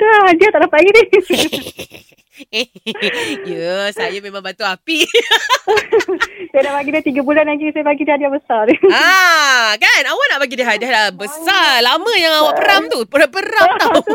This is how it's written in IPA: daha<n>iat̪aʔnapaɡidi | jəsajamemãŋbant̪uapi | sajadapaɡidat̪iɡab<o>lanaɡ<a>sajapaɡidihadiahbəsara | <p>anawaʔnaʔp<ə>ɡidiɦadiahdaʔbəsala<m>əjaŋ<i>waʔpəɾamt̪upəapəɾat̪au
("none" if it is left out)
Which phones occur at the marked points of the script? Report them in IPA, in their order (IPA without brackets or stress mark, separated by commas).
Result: d, u, i, k, a, m, a